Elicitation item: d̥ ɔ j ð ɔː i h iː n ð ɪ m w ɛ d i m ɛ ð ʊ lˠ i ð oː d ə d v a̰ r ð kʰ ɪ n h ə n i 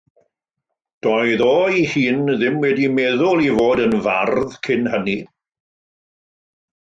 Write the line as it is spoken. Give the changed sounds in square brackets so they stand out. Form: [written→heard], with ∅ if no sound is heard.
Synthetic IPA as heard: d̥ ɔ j ð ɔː i h iː n ð ɪ m w ɛ d i m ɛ ð ʊ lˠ i [ð→v] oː d ə [d→n] v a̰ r ð kʰ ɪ n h ə n i